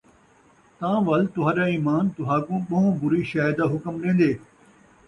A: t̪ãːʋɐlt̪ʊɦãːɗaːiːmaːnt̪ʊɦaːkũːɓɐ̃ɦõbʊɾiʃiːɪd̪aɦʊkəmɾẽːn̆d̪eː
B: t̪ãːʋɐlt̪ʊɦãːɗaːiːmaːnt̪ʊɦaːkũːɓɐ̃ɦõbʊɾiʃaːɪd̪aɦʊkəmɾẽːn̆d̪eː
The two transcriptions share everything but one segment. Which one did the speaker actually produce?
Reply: B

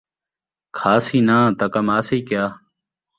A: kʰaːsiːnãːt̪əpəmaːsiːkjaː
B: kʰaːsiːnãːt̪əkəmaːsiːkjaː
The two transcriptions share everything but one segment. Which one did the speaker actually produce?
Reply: B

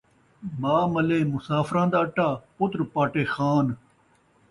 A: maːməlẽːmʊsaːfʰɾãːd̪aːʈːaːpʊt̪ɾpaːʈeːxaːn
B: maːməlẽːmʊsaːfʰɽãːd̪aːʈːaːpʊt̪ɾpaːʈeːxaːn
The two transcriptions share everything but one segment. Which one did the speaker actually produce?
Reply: A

